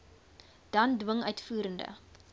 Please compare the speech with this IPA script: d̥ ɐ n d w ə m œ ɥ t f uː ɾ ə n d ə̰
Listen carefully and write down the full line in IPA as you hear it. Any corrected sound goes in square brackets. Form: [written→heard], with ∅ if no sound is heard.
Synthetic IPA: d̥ ɐ n d w ə [m→ŋ] œ ɥ t f uː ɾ ə n d ə̰